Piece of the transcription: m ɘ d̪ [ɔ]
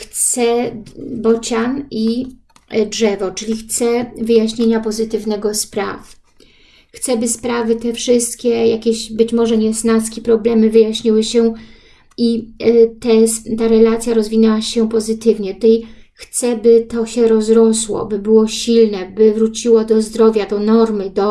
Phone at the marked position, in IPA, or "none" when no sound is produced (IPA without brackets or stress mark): ɔ